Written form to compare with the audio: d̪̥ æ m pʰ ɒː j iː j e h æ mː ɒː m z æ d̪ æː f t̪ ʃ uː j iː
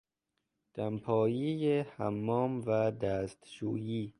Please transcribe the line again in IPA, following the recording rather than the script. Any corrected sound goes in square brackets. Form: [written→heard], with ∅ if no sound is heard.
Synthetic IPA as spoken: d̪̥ æ m pʰ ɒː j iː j e h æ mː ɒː m [z→v] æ d̪ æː [f→s] t̪ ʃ uː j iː